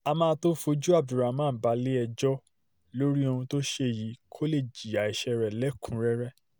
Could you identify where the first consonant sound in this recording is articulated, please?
labial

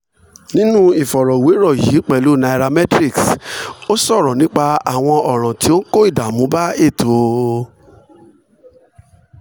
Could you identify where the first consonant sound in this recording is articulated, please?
alveolar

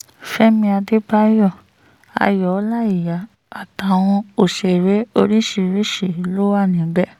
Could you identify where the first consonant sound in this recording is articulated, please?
labial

